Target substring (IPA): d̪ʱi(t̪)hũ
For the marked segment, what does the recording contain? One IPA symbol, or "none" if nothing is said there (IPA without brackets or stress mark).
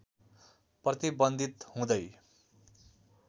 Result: t̪